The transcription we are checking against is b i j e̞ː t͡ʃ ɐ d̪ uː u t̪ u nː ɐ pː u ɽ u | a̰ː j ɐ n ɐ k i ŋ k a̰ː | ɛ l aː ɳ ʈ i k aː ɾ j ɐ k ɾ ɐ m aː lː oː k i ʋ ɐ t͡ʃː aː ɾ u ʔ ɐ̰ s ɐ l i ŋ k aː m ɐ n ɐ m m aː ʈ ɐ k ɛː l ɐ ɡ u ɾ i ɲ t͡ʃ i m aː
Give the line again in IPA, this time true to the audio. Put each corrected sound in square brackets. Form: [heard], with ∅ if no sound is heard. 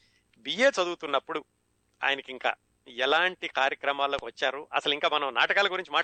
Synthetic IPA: b i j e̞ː t͡ʃ ɐ d̪ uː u t̪ u nː ɐ pː u ɽ u | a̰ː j ɐ n ɐ k i ŋ k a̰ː | ɛ l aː ɳ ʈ i k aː ɾ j ɐ k ɾ ɐ m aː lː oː k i ʋ ɐ t͡ʃː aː ɾ u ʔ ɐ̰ s ɐ l i ŋ k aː m ɐ n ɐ m [n] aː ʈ ɐ k [aː] l ɐ ɡ u ɾ i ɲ t͡ʃ i m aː